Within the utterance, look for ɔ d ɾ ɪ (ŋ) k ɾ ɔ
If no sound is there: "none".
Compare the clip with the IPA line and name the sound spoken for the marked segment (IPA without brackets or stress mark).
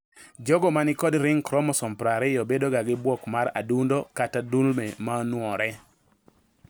ŋ